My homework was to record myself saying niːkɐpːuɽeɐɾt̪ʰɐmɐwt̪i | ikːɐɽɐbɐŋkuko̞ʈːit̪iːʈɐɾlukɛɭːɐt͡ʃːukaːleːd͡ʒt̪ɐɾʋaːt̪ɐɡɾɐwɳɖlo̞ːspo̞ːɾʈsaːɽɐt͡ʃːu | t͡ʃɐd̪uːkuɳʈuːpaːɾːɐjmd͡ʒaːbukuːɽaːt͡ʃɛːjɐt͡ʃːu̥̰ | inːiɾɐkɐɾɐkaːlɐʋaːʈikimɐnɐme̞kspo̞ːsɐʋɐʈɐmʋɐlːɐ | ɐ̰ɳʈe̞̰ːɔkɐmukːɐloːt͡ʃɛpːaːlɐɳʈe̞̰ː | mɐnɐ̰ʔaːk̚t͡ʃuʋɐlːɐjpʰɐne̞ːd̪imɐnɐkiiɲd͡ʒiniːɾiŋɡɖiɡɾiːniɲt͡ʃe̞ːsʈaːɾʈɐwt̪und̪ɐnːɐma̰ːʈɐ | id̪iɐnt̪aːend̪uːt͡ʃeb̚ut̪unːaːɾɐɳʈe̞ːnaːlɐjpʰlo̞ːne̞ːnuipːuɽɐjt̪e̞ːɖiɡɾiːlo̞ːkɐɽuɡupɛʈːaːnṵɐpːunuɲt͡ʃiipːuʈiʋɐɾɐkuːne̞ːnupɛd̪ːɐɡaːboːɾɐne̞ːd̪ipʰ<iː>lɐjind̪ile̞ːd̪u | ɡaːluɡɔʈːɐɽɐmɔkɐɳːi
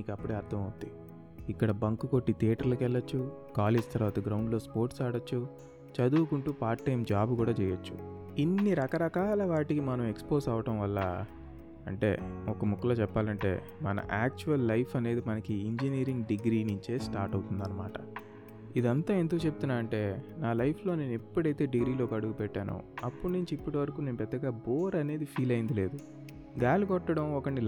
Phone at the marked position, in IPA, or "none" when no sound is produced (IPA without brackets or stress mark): iː